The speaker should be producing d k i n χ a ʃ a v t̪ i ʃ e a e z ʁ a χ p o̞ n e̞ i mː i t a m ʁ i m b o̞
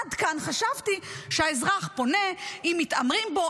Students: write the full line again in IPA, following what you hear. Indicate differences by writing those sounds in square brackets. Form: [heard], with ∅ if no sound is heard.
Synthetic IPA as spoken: d k [a] n χ a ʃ a v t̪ i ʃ e a e z ʁ a χ p o̞ n e̞ i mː i t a m ʁ i m b o̞